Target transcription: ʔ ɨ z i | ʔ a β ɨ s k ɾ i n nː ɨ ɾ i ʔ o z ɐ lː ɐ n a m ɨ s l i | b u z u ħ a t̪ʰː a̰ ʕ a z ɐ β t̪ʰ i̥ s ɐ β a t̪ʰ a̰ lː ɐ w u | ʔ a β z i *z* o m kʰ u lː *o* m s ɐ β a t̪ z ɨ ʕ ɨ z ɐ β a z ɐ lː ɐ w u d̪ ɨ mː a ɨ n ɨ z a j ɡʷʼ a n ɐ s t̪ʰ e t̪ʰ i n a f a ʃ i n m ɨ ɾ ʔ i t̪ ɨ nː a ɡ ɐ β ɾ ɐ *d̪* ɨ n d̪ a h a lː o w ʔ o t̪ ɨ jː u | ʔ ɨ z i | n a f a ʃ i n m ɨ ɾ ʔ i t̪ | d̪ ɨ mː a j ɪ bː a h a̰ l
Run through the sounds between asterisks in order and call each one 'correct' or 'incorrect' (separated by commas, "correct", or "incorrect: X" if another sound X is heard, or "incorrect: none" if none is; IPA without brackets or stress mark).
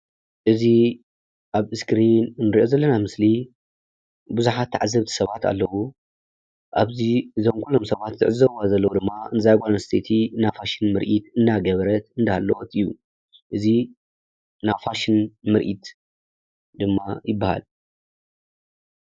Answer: correct, correct, incorrect: t̪